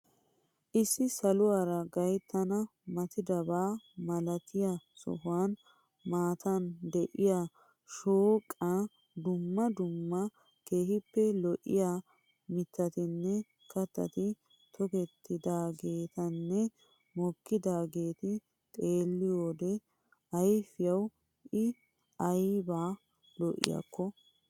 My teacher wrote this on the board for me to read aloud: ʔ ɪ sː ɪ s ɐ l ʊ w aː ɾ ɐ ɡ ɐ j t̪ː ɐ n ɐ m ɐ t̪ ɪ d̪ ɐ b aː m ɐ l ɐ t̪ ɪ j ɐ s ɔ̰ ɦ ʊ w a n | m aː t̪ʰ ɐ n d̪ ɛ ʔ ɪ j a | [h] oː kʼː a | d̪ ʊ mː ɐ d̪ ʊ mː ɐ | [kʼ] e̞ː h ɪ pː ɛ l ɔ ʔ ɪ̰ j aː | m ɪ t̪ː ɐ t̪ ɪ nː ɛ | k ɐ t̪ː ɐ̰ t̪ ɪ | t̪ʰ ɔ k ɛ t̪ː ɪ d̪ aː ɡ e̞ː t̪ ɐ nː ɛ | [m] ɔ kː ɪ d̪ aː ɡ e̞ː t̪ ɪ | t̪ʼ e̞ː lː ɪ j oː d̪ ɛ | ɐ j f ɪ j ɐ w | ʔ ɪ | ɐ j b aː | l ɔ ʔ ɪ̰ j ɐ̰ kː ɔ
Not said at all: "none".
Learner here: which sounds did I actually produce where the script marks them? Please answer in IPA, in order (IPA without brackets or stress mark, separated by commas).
ʃ, k, m